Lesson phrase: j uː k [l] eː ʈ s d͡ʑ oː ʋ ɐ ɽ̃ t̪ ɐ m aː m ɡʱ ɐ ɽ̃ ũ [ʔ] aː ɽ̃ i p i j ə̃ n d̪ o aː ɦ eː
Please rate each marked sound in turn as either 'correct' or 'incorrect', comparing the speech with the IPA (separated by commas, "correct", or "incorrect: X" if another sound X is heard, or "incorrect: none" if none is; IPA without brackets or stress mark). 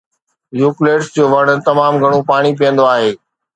correct, incorrect: p